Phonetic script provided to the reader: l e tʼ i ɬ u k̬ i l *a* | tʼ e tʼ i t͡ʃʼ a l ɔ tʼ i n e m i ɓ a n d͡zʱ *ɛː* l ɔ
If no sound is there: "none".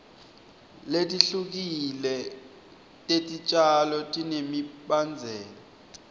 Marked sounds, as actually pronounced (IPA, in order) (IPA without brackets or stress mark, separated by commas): ɛ, ɛː